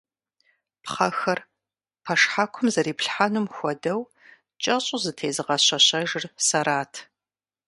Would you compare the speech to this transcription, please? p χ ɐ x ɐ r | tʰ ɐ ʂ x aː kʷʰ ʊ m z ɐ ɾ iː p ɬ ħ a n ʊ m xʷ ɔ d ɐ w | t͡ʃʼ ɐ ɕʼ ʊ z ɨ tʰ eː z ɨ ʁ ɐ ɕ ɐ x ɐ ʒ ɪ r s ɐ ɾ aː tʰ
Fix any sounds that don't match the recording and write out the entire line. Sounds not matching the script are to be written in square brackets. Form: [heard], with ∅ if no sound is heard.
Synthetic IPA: p χ ɐ x ɐ r | [pʰ] ɐ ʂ [ħ] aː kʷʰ ʊ m z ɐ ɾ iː p ɬ ħ a n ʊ m xʷ ɔ d ɐ w | t͡ʃʼ ɐ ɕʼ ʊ z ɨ tʰ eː z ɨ ʁ ɐ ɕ ɐ [ɕ] ɐ ʒ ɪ r s ɐ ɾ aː tʰ

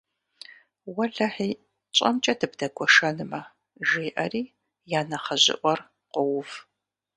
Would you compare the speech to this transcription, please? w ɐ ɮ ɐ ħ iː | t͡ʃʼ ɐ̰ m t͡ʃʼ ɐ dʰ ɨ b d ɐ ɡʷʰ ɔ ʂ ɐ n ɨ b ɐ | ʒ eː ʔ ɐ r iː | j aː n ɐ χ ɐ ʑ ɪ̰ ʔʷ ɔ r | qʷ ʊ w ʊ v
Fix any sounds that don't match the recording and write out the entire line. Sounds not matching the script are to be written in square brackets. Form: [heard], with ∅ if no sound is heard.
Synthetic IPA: w ɐ ɮ ɐ ħ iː | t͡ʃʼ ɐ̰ m t͡ʃʼ ɐ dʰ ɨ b d ɐ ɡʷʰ ɔ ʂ ɐ n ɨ [m] ɐ | ʒ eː ʔ ɐ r iː | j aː n ɐ χ ɐ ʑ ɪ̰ ʔʷ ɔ r | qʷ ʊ w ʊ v

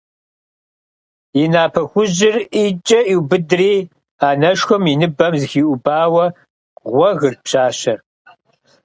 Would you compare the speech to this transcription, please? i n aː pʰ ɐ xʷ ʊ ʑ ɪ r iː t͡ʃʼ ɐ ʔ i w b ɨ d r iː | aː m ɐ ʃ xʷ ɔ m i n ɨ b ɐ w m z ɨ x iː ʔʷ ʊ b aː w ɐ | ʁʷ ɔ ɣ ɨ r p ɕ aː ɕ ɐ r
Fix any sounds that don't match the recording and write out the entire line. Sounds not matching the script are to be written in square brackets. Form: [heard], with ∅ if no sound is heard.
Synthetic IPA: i n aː pʰ ɐ xʷ ʊ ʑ ɪ r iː t͡ʃʼ ɐ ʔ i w b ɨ d r iː | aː [n] ɐ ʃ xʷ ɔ m i n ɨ b ɐ [∅] m z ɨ x iː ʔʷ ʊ b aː w ɐ | ʁʷ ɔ ɣ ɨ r p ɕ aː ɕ ɐ r

